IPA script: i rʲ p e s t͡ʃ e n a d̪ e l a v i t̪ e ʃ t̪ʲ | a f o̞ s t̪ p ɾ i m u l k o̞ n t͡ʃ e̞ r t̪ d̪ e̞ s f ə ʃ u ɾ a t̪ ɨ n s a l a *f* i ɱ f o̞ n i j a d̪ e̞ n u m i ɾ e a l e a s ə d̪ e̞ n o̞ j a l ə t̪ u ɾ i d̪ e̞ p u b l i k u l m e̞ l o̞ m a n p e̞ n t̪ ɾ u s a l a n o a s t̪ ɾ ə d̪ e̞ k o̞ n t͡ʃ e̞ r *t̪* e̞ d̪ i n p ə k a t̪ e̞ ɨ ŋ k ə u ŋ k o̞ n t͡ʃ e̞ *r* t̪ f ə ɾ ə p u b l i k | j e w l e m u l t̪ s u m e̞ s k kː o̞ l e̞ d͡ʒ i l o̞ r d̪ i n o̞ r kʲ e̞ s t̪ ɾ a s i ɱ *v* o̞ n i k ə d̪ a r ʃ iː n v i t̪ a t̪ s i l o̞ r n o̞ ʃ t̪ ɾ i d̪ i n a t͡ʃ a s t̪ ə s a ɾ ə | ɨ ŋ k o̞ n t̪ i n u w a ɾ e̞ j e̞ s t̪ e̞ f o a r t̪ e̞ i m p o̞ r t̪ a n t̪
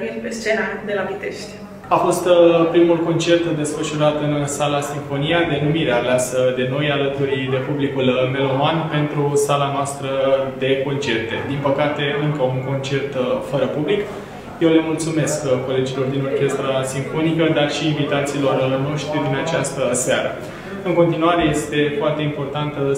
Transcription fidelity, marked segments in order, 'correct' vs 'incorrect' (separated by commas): incorrect, correct, correct, incorrect